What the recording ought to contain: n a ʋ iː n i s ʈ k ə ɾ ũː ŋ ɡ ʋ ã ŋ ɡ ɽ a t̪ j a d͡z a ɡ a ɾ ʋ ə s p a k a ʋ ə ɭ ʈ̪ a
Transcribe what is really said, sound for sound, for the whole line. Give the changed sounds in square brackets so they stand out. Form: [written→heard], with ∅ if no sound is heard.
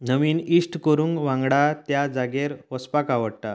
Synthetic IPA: n [a→ə] ʋ iː n i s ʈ k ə ɾ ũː ŋ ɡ ʋ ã ŋ ɡ ɽ a t̪ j a d͡z a ɡ [a→e] ɾ ʋ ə s p a k a ʋ ə [ɭ→ɽ] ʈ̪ a